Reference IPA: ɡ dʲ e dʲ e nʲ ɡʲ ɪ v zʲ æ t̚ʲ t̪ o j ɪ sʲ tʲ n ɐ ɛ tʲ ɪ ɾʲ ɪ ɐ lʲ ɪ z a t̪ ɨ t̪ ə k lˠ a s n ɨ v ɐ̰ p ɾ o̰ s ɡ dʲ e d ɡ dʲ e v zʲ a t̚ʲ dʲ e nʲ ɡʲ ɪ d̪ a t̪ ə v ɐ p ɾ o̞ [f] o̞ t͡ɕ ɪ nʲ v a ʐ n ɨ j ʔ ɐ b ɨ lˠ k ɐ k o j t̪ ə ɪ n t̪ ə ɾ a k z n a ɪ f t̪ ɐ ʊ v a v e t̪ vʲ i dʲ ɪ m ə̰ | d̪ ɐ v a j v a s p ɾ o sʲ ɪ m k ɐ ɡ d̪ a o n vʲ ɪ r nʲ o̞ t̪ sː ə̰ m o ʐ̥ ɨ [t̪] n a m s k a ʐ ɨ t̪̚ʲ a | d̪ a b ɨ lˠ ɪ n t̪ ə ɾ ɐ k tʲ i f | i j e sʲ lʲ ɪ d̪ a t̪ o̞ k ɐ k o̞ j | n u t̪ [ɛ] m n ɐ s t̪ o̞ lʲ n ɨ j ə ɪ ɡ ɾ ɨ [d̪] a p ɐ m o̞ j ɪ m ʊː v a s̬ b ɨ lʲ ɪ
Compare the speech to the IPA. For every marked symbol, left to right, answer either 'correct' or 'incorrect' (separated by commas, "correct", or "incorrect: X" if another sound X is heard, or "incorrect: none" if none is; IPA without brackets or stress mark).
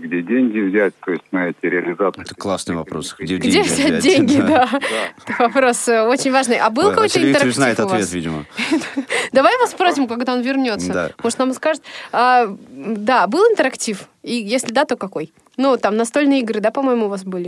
incorrect: s, correct, incorrect: a, correct